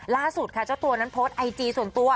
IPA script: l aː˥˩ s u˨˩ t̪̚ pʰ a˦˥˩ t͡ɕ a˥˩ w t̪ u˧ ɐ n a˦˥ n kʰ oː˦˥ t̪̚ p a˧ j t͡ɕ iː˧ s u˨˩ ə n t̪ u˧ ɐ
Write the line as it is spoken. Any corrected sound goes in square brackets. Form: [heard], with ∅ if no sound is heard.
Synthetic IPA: l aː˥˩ s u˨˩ t̪̚ [kʰ] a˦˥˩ t͡ɕ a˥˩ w t̪ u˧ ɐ n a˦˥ n [pʰ] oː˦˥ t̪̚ [ʔ] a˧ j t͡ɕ iː˧ s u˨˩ ə n t̪ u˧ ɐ